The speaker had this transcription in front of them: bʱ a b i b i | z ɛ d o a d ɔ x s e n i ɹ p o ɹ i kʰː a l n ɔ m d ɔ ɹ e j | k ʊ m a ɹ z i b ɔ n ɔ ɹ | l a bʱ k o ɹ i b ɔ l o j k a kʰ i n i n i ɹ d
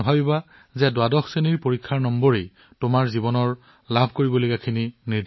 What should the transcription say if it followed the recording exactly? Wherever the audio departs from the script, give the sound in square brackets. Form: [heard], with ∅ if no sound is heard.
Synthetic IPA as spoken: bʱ a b i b [a] | z ɛ d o a d ɔ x s e n i ɹ p o ɹ i kʰː a [ɹ] n ɔ m [b] ɔ ɹ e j | [t] ʊ m a ɹ z i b ɔ n ɔ ɹ | l a bʱ k o ɹ i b ɔ l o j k a kʰ i n i n i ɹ d